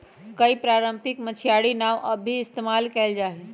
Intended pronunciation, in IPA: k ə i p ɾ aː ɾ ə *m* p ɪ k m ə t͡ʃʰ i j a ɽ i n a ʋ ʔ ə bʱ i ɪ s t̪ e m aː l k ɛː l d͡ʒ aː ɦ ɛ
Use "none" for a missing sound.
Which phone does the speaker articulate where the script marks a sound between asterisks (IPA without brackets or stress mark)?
m